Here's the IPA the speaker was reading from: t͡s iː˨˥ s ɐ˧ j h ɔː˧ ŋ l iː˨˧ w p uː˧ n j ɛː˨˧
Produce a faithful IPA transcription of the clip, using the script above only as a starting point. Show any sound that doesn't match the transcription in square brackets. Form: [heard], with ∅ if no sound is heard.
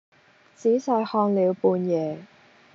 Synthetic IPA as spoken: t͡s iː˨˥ s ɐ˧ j h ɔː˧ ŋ l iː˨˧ w p uː˧ n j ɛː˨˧